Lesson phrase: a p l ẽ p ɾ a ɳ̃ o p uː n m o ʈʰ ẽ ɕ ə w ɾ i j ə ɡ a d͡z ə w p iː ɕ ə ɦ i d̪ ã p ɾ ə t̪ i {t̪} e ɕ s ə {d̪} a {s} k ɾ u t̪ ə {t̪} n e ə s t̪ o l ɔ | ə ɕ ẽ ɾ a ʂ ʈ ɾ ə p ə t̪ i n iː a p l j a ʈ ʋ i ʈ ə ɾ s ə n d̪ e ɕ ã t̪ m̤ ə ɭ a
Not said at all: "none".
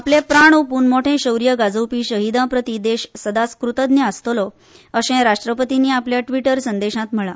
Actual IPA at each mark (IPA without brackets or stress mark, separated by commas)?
d̪, d̪, s, d̪